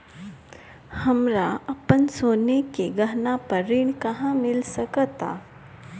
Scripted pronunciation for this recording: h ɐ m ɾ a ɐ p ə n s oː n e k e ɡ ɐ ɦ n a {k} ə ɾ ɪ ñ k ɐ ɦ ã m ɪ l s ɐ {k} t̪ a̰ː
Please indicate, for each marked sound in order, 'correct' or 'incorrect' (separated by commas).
incorrect, correct